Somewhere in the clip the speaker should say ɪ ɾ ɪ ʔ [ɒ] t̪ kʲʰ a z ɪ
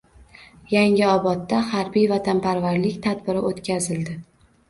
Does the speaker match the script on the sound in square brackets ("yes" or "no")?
no